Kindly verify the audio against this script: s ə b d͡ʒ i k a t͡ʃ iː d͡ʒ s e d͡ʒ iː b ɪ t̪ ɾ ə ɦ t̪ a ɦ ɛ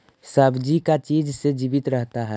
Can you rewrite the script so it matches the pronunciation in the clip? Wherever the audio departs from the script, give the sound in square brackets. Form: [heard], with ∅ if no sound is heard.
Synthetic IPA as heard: s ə b d͡ʒ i k a t͡ʃ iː d͡ʒ s e d͡ʒ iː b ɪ t̪ ɾ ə ɦ t̪ a ɦ ɛ